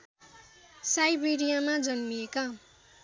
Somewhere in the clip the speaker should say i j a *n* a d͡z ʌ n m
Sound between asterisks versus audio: incorrect: m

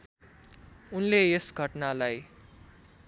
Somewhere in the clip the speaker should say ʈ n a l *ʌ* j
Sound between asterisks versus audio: incorrect: a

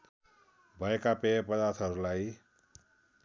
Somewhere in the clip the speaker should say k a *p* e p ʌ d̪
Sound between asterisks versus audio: correct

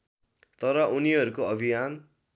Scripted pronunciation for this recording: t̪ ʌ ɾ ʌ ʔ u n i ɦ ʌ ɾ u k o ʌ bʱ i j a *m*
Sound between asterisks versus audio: incorrect: n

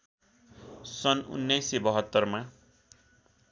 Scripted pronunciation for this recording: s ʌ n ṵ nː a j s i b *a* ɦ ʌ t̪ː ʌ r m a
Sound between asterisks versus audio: incorrect: ʌ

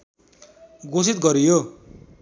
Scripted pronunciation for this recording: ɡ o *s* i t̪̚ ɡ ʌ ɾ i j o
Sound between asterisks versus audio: correct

